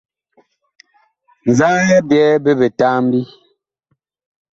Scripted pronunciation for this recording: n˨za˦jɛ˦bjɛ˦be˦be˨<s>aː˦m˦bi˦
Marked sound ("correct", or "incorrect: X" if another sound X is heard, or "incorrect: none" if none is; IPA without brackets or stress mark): incorrect: t